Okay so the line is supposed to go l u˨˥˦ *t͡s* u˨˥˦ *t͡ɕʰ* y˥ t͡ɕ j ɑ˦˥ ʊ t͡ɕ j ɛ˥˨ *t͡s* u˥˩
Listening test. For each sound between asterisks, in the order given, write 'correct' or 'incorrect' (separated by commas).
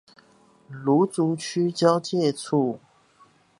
correct, correct, incorrect